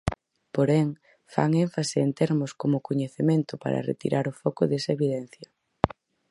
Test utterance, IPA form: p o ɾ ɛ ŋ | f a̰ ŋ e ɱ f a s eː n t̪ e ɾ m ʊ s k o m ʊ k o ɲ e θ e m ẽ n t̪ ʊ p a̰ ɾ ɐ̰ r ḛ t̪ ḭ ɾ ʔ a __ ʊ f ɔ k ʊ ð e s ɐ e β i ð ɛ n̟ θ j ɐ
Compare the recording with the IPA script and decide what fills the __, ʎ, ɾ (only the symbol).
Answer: ɾ